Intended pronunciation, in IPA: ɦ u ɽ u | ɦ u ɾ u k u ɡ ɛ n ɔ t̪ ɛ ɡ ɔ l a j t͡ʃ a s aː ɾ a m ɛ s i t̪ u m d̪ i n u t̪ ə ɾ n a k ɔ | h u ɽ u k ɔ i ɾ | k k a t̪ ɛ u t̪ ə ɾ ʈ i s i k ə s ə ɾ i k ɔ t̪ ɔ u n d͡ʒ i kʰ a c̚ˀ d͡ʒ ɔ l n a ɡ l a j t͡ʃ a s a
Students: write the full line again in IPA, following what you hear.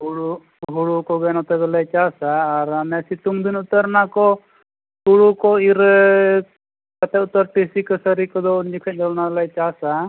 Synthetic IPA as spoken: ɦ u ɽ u | ɦ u ɽ u k ɔ ɡ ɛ n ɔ t̪ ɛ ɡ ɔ l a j t͡ʃ a s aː ɾ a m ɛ s i t̪ u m d̪ i n u t̪ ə ɾ n a k ɔ | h u ɽ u k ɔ i ɾ | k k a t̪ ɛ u t̪ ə ɾ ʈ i s i k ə s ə ɾ i k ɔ d̪ ɔ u n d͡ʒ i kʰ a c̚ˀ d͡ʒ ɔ l n a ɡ l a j t͡ʃ a s a